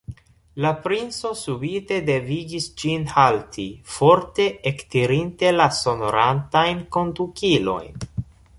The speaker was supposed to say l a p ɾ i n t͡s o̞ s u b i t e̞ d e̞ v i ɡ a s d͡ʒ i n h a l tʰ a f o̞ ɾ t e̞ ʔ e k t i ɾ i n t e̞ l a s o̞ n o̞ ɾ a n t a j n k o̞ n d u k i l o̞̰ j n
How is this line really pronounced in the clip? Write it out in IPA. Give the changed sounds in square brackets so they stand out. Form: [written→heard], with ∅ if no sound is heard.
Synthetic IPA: l a p ɾ i n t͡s o̞ s u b i t e̞ d e̞ v i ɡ [a→i] s d͡ʒ i n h a l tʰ [a→i] f o̞ ɾ t e̞ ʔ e k t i ɾ i n t e̞ l a s o̞ n o̞ ɾ a n t a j n k o̞ n d u k i l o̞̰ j n